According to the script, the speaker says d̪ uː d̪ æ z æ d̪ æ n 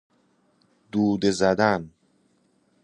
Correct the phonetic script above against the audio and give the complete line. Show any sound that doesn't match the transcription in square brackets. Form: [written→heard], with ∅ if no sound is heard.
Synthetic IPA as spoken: d̪ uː d̪ [æ→e] z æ d̪ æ n

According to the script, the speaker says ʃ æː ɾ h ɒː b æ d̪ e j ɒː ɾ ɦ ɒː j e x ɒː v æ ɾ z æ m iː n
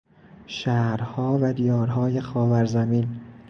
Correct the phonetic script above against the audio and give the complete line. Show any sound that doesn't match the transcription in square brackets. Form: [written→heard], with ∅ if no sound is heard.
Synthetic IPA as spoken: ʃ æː ɾ h ɒː [b→v] æ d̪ [e→i] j ɒː ɾ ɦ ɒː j e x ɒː v æ ɾ z æ m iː n

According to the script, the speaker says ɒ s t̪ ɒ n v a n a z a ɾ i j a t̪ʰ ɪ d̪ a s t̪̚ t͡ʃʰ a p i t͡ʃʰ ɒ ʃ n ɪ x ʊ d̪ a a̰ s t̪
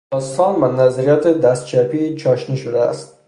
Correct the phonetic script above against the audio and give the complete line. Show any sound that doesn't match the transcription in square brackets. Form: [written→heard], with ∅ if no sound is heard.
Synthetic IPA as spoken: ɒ s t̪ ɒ n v a n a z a ɾ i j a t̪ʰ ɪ d̪ a s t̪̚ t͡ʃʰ a p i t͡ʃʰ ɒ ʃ n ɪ [x→ʃ] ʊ d̪ a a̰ s t̪

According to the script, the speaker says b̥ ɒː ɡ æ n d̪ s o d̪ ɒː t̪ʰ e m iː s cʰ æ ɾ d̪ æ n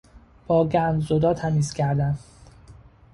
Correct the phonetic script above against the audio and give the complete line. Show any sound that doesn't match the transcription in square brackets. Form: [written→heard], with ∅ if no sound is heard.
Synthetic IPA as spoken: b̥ ɒː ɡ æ n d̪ [s→z] o d̪ ɒː t̪ʰ [e→æ] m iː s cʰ æ ɾ d̪ æ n

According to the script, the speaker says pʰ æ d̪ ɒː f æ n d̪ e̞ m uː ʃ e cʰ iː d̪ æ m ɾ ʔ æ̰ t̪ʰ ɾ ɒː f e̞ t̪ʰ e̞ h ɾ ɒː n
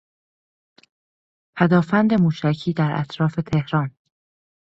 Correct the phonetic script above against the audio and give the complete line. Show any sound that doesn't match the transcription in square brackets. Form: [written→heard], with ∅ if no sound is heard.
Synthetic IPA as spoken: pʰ æ d̪ ɒː f æ n d̪ e̞ m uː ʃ [e→æ] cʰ iː d̪ æ [m→∅] ɾ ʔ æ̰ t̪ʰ ɾ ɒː f e̞ t̪ʰ e̞ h ɾ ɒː n

